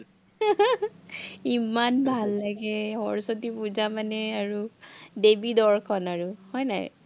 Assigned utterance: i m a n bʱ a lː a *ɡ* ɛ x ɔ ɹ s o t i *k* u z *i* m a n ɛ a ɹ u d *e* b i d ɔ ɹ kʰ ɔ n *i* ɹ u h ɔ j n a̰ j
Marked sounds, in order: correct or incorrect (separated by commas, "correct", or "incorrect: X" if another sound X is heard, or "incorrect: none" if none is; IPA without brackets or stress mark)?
correct, incorrect: p, incorrect: a, correct, incorrect: a